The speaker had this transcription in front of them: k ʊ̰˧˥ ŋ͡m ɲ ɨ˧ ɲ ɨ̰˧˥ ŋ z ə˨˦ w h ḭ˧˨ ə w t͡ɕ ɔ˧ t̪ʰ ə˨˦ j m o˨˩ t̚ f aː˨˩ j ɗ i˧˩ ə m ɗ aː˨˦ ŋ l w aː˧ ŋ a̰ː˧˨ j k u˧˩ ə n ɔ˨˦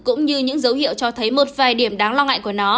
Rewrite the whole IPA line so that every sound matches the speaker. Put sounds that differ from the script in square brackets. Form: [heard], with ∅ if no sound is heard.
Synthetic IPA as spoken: k ʊ̰˧˥ ŋ͡m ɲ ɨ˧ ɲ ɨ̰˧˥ ŋ z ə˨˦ w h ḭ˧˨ ə w t͡ɕ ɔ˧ t̪ʰ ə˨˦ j m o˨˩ t̚ [v] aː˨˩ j ɗ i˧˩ ə m ɗ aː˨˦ ŋ l w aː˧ ŋ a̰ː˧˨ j k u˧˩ ə n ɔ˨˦